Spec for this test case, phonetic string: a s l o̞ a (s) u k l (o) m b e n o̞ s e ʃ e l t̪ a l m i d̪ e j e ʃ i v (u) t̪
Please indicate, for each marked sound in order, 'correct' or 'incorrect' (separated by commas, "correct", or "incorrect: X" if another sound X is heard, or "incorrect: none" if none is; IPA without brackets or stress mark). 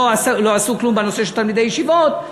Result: correct, incorrect: u, incorrect: o